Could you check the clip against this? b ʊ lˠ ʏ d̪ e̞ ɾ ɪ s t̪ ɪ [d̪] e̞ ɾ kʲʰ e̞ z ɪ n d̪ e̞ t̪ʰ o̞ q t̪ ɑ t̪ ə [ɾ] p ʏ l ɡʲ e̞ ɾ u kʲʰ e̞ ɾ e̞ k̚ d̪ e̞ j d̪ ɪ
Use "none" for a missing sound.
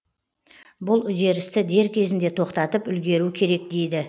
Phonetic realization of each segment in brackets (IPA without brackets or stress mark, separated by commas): d̪, none